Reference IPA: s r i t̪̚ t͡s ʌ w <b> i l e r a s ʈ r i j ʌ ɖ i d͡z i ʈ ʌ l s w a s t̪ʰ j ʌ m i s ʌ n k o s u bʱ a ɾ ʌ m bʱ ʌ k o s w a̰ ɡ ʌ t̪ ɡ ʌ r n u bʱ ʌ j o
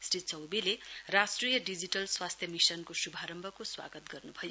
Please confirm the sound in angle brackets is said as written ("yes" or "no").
yes